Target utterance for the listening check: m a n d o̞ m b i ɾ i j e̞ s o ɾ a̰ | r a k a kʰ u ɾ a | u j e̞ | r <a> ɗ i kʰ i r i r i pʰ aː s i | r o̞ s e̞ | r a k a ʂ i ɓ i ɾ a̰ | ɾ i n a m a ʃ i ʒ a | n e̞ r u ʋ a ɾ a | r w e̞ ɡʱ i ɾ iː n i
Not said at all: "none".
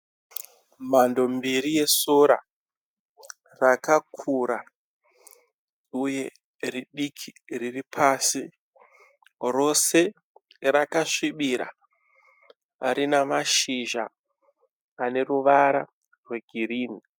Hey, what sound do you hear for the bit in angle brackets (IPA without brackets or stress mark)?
i